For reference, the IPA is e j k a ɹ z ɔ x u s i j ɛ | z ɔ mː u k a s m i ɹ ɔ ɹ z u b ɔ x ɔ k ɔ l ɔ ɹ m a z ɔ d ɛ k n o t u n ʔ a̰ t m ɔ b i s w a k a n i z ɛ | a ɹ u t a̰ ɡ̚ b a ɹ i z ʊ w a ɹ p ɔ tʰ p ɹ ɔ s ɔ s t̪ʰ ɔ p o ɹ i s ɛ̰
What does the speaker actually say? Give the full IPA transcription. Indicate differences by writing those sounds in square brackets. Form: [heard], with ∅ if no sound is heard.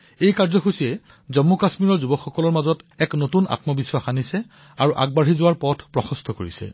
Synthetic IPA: e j k a ɹ z ɔ x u s i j ɛ | z ɔ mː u k a s m i ɹ ɔ ɹ z u b ɔ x ɔ k ɔ l ɔ ɹ m a z ɔ [t] ɛ k n o t u n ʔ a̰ t m ɔ b i s w a [x] a n i [s] ɛ | a ɹ u [ʔ] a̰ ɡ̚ b a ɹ i z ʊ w a ɹ p ɔ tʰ p ɹ ɔ [x] ɔ s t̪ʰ ɔ [k] o ɹ i s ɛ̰

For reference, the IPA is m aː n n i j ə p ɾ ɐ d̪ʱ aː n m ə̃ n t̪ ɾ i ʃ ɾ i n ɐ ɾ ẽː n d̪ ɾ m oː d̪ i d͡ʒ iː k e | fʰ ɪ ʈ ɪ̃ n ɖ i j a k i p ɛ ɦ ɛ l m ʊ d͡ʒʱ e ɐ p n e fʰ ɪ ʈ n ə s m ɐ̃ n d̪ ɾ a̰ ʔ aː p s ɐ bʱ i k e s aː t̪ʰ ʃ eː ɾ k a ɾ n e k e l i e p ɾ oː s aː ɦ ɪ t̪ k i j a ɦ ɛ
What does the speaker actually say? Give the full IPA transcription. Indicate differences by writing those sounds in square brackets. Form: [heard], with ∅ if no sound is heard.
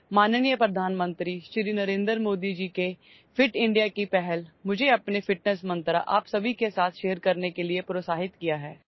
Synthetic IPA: m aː n n i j ə p ɾ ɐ d̪ʱ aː n m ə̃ n t̪ ɾ i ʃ ɾ i n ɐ ɾ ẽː n d̪ ɾ m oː d̪ i d͡ʒ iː k e | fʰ ɪ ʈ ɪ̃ [ɳ] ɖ i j a k i p ɛ ɦ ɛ l m ʊ d͡ʒʱ e ɐ p n e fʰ ɪ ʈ n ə s m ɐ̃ n [t̪] ɾ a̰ ʔ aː p s ɐ bʱ i k e s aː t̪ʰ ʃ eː ɾ k [ɐ] ɾ n e k e l i e p ɾ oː s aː ɦ ɪ t̪ k i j a ɦ [ɛː]

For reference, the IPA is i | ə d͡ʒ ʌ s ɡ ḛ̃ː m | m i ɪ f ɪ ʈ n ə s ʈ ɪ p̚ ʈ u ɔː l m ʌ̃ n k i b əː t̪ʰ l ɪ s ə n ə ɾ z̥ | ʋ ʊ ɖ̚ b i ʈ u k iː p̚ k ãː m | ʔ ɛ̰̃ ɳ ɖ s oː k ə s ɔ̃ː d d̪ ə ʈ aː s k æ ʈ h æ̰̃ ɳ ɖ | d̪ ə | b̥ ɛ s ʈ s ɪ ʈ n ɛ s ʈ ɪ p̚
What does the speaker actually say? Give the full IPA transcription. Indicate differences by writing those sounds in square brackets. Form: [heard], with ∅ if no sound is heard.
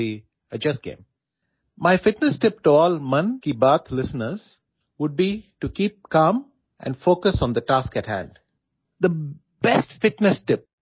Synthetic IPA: i | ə d͡ʒ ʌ s ɡ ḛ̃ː m | m [a] ɪ f ɪ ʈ n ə s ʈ ɪ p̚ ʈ u ɔː l m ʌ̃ n k i b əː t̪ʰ l ɪ s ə n ə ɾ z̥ | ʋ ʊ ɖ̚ b i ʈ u k iː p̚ k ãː m | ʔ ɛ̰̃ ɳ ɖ [f] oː k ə s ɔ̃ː [n] d̪ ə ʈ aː s k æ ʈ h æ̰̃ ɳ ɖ | d̪ ə | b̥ ɛ s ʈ [f] ɪ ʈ n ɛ s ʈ ɪ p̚

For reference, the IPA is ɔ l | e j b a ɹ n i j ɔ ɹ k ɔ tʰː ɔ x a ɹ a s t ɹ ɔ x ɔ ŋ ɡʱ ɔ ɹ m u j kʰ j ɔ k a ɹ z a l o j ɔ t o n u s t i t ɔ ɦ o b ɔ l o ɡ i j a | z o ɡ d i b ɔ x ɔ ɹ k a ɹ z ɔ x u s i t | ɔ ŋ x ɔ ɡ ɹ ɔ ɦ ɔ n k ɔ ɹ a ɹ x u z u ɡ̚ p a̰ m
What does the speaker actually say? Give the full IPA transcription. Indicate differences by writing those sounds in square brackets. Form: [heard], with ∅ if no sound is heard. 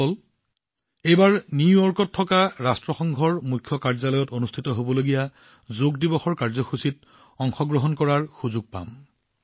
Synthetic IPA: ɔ l | e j b a ɹ n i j ɔ ɹ k ɔ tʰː ɔ [k] a ɹ a s t ɹ ɔ x ɔ ŋ ɡʱ ɔ ɹ m u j kʰ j ɔ k a ɹ z a l [ɔ] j ɔ t o n u s [tʰ] i t ɔ ɦ o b ɔ l o ɡ i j a | z o ɡ d i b ɔ x ɔ ɹ k a ɹ z ɔ x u s i t | ɔ ŋ x ɔ ɡ ɹ ɔ ɦ ɔ n k ɔ ɹ a ɹ x u z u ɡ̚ p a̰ m

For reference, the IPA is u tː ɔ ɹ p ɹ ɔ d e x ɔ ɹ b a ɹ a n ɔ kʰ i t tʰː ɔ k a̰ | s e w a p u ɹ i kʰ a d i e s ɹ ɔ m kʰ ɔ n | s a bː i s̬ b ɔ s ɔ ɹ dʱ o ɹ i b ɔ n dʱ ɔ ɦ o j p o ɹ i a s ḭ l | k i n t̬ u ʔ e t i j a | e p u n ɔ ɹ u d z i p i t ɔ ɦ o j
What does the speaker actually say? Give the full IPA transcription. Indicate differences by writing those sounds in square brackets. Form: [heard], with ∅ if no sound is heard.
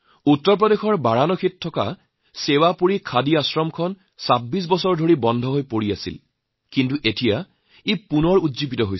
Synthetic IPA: u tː ɔ ɹ p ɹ ɔ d e x ɔ ɹ b a ɹ a n ɔ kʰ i t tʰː ɔ k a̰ | s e w a p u ɹ i kʰ a d i [a] s ɹ ɔ m kʰ ɔ n | s a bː i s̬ b ɔ s ɔ ɹ dʱ o ɹ i b ɔ n dʱ ɔ ɦ o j p o ɹ i a s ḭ l | k i n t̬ u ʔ e t i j a | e p u n ɔ ɹ u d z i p i t ɔ ɦ o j

